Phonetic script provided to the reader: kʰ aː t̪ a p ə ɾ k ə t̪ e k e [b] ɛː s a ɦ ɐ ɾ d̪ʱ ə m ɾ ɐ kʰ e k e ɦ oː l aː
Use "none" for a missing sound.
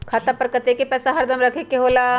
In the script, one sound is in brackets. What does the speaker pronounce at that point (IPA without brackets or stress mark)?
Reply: p